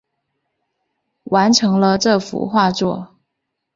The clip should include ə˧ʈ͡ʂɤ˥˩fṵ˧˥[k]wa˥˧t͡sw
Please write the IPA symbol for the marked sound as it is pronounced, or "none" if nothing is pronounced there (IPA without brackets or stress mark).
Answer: x